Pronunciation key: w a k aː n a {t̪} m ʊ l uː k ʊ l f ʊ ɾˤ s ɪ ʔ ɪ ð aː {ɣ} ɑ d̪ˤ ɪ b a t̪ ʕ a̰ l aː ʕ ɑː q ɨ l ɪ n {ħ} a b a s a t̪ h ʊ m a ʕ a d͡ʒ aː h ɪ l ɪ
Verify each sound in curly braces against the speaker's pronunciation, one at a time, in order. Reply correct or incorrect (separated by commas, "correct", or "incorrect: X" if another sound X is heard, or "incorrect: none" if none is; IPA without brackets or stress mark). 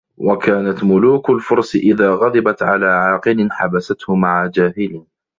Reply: correct, correct, correct